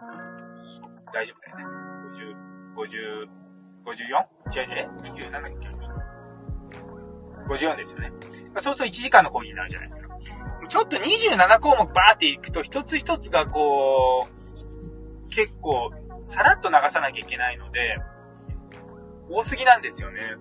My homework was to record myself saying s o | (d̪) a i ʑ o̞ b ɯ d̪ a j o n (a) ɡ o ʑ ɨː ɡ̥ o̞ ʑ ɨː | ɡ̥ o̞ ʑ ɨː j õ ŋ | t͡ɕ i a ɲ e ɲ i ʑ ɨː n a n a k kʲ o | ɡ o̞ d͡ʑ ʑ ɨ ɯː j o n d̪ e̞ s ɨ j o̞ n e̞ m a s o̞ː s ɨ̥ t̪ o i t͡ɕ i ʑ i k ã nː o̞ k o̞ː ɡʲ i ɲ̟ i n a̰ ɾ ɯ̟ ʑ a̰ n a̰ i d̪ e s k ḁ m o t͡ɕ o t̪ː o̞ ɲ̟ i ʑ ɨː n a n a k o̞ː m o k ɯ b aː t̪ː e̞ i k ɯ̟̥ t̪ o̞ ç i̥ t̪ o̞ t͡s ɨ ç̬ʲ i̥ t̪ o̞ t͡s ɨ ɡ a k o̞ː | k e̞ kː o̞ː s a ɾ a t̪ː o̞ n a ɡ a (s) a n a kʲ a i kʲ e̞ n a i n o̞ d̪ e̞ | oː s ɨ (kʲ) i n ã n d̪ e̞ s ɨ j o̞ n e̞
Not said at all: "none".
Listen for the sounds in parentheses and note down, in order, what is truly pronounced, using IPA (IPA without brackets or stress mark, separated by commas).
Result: d̪, e, s, ɡʲ